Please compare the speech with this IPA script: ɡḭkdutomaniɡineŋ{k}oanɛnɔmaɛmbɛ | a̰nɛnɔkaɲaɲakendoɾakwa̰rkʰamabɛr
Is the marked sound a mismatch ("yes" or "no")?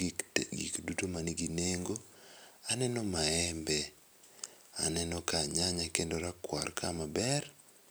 yes